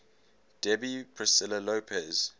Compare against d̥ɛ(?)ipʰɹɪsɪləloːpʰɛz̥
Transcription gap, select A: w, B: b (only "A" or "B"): B